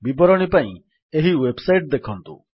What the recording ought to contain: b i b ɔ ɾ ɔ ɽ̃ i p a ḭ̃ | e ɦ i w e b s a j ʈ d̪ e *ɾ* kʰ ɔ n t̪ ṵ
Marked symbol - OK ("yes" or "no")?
no